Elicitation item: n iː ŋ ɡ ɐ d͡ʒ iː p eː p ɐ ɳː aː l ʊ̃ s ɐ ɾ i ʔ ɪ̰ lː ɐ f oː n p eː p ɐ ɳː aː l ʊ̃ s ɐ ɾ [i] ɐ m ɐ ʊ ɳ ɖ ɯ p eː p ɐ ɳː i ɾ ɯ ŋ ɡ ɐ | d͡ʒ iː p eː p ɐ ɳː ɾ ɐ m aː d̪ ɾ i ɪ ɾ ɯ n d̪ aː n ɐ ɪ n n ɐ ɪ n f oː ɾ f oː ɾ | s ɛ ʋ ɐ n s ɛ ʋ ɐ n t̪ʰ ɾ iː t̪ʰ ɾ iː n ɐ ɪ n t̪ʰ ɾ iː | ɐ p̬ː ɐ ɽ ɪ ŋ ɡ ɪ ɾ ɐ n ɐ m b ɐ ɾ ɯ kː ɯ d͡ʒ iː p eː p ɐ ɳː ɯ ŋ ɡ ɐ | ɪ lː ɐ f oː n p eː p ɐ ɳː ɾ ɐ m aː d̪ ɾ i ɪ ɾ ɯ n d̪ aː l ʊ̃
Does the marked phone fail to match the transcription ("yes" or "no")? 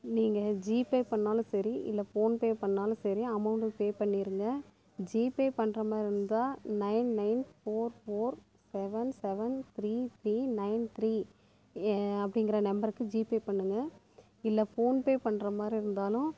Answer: no